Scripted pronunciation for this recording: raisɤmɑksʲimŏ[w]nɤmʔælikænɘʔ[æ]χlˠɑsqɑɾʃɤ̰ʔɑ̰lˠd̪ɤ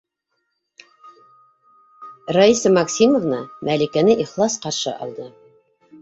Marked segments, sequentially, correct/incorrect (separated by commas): incorrect, incorrect